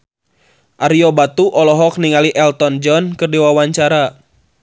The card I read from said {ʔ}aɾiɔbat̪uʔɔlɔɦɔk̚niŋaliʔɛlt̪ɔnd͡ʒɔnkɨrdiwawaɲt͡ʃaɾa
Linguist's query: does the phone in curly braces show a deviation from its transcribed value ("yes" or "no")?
no